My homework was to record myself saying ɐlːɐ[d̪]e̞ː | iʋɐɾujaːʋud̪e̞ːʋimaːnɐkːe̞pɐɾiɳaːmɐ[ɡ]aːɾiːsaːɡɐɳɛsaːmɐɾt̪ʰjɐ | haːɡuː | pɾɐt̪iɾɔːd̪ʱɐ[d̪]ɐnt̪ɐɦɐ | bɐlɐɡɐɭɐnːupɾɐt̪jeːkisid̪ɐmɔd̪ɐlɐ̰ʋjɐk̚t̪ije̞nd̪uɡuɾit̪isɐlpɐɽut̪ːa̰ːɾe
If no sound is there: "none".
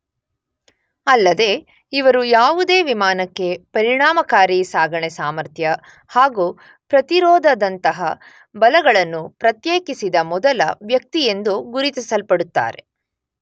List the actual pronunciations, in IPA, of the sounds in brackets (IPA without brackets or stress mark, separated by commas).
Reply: d̪, k, d̪